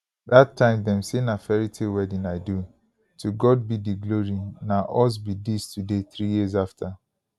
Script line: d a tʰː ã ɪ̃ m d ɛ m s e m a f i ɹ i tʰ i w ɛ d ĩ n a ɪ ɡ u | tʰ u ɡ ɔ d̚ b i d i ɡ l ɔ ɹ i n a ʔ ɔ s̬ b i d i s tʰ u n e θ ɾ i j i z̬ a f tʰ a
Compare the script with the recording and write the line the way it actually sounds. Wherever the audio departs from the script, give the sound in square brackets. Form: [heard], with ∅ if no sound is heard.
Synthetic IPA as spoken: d a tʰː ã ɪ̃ m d ɛ m s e [n] a f [ɛ] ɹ i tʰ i w ɛ d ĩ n a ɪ [d] u | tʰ u ɡ ɔ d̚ b i d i ɡ l [o] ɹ i n a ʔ ɔ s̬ b i d i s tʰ u [d] e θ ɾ i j i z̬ a f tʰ a